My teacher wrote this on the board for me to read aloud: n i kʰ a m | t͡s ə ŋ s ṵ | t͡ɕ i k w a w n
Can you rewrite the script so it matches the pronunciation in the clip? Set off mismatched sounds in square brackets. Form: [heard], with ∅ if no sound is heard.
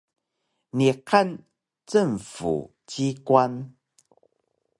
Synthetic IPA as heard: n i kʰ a [n] | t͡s ə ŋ [f] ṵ | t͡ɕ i k w a [∅] n